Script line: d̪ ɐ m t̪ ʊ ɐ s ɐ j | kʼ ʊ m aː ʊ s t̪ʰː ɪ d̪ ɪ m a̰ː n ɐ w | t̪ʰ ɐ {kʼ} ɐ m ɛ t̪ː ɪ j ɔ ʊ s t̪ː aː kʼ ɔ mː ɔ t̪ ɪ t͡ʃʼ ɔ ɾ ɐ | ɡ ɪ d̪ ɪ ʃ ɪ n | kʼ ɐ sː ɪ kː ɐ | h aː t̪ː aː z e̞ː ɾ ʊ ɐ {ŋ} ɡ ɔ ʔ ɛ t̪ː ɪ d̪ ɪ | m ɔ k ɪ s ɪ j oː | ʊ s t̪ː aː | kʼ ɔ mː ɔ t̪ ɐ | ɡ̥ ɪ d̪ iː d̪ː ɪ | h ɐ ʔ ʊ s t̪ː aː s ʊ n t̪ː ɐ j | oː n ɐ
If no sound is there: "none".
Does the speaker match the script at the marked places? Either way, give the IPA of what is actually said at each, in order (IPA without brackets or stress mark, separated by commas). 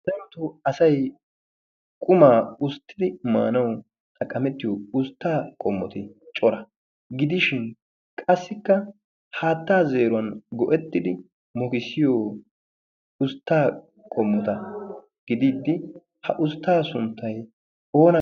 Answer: kʼ, n